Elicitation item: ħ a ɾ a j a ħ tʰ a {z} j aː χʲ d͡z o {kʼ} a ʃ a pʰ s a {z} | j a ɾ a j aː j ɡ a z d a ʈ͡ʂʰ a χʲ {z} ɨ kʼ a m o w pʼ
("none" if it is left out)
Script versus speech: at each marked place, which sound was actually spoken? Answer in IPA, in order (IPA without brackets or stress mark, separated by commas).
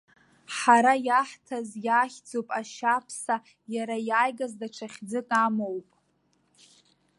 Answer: z, pʼ, none, d͡z